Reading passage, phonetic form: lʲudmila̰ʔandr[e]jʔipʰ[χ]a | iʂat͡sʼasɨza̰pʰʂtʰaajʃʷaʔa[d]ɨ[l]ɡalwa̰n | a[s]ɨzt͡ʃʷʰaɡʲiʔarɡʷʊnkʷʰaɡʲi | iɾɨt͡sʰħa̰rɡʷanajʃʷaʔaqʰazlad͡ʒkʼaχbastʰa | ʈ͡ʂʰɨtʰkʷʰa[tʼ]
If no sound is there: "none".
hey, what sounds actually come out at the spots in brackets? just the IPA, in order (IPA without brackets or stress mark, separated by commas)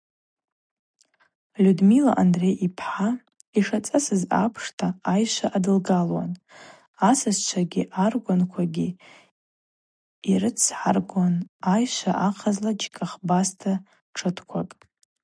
e, ħ, d, l, s, kʼ